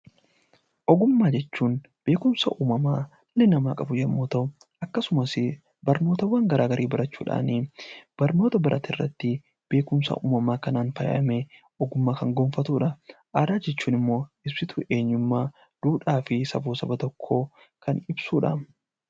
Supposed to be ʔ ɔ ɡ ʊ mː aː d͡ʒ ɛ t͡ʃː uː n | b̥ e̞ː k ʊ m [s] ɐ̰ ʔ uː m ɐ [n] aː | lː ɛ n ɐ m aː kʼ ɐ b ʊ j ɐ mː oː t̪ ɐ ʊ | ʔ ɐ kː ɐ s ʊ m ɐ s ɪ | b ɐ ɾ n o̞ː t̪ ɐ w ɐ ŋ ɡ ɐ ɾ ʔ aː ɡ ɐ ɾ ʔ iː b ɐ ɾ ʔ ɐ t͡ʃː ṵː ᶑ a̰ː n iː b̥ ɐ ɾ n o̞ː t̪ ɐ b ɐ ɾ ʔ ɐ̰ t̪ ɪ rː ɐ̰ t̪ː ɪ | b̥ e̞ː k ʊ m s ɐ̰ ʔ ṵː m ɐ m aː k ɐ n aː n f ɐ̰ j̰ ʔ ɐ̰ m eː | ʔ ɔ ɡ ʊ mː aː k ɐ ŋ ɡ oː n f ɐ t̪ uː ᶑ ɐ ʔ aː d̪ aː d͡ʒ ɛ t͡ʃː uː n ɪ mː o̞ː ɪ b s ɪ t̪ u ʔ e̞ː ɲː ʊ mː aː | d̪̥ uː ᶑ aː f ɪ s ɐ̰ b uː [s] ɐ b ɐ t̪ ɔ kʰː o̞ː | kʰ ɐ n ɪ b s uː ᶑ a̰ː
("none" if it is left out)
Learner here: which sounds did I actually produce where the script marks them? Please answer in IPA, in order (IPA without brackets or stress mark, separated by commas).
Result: s, m, s